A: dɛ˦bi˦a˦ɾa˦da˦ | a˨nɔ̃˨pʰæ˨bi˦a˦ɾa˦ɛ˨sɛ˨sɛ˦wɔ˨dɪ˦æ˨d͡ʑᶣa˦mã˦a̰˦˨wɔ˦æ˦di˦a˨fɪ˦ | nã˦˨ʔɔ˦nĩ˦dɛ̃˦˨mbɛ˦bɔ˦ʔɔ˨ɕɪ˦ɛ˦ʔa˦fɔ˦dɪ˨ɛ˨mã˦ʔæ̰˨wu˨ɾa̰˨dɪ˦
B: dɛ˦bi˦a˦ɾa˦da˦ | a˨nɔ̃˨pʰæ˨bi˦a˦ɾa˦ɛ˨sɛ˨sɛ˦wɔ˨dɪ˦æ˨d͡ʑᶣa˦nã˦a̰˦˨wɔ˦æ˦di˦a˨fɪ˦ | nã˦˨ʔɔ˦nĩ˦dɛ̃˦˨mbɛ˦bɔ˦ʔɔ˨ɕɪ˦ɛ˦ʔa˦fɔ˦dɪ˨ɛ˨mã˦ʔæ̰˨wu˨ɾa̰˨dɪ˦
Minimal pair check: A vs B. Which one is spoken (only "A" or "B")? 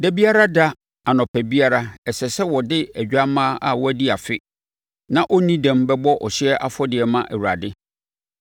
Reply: A